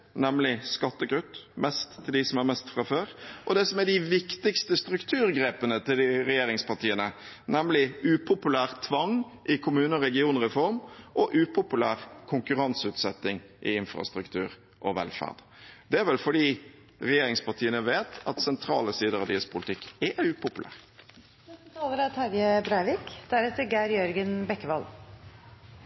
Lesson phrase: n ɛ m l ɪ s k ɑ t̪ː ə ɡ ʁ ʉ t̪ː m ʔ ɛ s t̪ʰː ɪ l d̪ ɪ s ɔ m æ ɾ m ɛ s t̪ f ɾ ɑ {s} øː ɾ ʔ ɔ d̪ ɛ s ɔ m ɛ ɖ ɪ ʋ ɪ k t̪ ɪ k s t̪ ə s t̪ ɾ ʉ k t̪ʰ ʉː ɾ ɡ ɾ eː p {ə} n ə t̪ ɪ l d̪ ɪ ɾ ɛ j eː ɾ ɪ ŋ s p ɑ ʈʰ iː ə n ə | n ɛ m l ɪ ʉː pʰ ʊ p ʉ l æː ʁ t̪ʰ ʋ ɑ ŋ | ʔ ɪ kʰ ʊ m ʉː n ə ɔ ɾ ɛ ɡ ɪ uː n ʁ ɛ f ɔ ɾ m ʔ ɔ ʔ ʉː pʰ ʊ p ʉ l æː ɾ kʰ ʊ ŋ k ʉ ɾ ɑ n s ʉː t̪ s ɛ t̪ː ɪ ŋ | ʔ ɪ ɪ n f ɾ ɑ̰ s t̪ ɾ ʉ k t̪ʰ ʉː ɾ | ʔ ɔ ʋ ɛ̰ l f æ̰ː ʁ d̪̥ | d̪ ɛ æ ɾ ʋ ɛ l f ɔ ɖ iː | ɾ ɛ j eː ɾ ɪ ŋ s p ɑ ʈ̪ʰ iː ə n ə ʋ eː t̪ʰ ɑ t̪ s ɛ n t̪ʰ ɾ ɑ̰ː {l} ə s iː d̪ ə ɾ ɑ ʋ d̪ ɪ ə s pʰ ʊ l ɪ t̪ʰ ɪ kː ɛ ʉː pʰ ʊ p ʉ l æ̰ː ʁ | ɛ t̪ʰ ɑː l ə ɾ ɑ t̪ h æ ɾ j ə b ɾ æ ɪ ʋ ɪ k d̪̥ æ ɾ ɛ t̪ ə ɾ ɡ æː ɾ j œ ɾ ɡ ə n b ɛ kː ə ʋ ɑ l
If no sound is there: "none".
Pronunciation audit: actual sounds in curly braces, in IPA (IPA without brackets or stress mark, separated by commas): f, ə, l